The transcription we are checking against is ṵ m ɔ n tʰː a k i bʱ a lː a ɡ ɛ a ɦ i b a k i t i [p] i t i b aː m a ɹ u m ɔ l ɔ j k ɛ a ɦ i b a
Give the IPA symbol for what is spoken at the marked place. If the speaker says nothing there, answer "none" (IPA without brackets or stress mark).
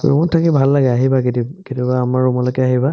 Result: k